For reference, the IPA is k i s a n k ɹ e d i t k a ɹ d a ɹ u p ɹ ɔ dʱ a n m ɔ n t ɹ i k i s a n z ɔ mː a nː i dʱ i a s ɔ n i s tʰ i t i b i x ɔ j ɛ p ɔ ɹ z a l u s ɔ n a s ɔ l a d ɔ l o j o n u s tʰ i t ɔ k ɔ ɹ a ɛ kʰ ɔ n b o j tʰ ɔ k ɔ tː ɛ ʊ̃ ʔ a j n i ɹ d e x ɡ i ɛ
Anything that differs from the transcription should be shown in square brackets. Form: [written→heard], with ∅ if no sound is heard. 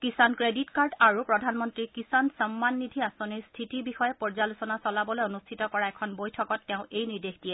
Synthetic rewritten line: k i s a n k ɹ e d i t k a ɹ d a ɹ u p ɹ ɔ dʱ a n m ɔ n t ɹ i k i s a n [z→s] ɔ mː a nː i dʱ i a s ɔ n i s tʰ i t i b i x ɔ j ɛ p ɔ ɹ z a l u s ɔ n a s ɔ l a [d→b] ɔ l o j o n u s tʰ i t ɔ k ɔ ɹ a ɛ kʰ ɔ n b o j tʰ ɔ k ɔ tː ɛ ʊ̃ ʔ [a→e] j n i ɹ d e x [ɡ→d] i ɛ